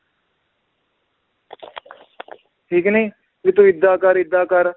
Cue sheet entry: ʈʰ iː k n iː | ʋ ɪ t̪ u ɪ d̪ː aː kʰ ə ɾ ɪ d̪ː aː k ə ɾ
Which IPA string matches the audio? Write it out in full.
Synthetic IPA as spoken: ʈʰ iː k n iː | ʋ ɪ t̪ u ɪ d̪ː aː k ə ɾ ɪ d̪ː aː k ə ɾ